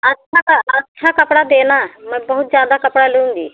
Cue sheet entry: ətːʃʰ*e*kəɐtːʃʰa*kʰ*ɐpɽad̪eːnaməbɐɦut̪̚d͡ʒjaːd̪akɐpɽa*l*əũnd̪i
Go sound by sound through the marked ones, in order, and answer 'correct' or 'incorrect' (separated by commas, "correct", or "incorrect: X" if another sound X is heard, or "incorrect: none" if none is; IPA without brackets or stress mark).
incorrect: a, incorrect: k, correct